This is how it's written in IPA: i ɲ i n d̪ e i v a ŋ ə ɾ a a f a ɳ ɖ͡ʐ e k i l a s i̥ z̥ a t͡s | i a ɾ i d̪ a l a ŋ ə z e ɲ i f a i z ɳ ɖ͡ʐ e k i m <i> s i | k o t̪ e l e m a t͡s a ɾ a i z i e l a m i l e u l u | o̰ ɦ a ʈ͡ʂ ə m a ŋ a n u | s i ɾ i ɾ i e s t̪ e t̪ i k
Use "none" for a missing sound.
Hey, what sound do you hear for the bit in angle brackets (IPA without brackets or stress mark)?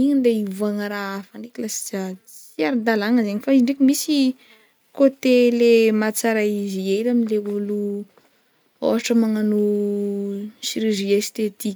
i